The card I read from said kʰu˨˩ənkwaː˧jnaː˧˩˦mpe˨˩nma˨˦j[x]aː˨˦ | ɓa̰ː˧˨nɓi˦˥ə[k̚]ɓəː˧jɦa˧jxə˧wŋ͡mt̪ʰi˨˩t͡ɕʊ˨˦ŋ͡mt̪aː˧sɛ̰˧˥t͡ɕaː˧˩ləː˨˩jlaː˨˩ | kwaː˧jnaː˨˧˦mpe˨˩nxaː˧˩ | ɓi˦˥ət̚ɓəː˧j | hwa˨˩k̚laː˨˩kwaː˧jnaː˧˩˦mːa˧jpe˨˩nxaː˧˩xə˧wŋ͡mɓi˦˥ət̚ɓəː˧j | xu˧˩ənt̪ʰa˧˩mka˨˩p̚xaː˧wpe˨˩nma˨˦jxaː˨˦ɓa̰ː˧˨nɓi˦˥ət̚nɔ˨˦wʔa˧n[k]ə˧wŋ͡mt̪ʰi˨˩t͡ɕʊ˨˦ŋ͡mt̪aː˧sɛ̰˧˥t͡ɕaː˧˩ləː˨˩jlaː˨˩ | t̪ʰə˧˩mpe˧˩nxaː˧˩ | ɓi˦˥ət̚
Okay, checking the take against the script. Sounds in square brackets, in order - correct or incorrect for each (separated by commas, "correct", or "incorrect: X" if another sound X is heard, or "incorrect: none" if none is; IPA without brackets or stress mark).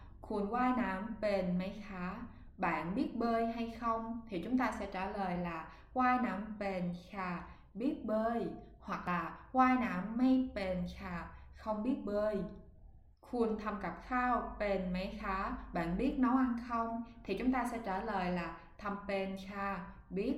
correct, incorrect: t̚, incorrect: x